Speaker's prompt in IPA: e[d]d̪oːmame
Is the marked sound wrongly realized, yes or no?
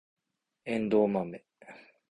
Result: yes